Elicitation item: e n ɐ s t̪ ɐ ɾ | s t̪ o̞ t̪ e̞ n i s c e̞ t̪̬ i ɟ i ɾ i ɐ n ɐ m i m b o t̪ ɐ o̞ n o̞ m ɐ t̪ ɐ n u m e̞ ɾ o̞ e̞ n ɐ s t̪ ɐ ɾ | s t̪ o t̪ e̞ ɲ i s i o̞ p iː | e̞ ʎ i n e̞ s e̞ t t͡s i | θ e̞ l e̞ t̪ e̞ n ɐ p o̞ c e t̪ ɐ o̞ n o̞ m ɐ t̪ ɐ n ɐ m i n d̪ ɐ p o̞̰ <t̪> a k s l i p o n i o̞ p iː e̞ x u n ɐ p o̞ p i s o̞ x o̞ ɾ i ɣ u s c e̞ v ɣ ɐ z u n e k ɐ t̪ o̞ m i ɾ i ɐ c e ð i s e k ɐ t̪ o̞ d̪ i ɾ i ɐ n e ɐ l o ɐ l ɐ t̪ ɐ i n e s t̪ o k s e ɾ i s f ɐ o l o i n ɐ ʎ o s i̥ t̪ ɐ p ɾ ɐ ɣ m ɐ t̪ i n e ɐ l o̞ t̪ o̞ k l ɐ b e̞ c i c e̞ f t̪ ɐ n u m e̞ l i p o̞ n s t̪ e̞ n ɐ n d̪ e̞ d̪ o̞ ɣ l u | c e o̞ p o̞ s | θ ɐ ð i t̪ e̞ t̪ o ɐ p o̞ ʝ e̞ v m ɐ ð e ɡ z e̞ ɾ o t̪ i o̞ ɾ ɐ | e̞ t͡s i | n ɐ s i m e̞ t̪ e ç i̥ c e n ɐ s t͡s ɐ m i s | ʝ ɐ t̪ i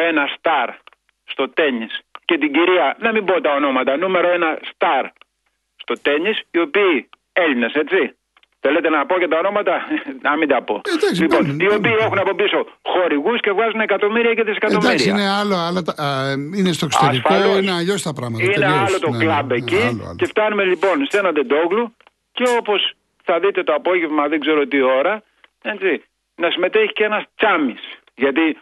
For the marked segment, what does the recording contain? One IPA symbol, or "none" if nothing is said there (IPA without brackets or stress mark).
d̪